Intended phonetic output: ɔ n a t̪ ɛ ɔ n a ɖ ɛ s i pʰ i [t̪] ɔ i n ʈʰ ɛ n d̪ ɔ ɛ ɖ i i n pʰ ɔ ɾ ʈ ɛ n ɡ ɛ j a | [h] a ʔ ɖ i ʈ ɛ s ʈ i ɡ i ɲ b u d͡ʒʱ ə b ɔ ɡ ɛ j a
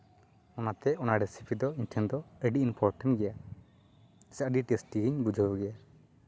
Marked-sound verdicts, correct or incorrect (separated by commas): incorrect, incorrect